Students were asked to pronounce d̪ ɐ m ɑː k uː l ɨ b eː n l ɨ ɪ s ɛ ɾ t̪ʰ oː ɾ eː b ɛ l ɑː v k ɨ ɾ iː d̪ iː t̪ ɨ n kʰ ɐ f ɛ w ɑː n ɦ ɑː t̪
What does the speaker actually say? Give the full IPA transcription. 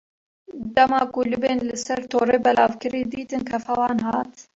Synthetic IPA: d̪ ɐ m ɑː k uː l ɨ b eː n l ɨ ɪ s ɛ ɾ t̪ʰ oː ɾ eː b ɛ l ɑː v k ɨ ɾ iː d̪ iː t̪ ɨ n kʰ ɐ f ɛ w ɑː n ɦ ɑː t̪